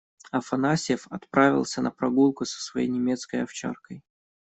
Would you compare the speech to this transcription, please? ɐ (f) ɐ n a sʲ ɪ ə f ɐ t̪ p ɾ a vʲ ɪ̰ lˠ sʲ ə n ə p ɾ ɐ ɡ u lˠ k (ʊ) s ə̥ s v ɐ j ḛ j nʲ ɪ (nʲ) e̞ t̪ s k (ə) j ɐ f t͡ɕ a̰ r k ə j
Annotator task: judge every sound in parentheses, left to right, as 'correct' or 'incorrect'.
correct, correct, incorrect: mʲ, correct

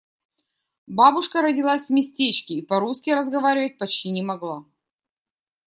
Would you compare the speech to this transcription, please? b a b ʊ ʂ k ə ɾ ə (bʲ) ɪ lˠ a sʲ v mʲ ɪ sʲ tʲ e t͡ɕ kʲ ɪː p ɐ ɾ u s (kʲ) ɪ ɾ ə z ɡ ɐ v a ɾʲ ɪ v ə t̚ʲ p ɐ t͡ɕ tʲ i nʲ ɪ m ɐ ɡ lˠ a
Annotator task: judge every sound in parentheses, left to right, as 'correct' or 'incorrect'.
incorrect: dʲ, correct

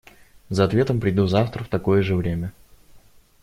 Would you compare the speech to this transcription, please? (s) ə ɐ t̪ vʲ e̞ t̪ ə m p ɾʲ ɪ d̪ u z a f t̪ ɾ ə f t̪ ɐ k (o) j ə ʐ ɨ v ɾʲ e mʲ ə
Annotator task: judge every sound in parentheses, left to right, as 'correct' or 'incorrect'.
incorrect: z, correct

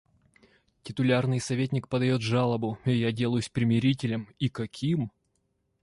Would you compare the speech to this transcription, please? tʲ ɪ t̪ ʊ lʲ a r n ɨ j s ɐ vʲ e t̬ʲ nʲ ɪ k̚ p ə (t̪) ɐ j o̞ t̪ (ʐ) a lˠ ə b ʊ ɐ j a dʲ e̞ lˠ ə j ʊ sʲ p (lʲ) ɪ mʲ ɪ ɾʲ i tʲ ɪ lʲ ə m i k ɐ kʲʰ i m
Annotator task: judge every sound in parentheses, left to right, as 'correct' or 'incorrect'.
incorrect: d̪, correct, incorrect: ɾʲ

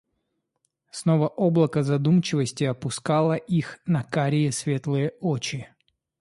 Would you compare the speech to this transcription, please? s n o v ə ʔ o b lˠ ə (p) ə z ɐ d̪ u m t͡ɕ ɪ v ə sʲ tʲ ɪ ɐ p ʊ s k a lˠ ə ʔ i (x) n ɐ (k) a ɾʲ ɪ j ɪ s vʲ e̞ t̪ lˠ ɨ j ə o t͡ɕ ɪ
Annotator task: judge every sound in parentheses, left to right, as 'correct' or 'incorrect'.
incorrect: k, correct, correct

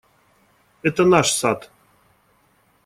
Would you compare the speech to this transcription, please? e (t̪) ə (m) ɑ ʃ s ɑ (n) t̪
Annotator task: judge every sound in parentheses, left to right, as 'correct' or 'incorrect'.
correct, incorrect: n, incorrect: none

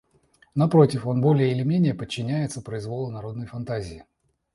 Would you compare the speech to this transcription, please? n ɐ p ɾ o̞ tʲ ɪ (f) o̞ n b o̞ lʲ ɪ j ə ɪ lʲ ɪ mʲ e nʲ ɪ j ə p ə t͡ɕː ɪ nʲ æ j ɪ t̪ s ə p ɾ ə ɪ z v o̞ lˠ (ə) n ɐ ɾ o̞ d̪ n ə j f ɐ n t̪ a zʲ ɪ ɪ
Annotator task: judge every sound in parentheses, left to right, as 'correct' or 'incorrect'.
correct, correct

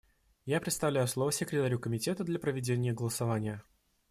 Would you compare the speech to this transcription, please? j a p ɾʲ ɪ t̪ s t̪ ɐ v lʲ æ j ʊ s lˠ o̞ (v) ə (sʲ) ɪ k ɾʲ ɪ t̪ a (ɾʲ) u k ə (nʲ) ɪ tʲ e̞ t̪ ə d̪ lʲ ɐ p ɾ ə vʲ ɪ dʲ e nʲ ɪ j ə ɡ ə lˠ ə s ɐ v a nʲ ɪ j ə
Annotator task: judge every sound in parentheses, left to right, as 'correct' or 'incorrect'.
correct, correct, correct, incorrect: mʲ

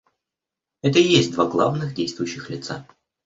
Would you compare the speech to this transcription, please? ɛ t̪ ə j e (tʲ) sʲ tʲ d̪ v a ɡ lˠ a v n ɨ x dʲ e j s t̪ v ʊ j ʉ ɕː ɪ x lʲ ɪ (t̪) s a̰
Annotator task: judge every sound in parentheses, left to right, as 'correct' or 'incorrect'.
incorrect: none, correct

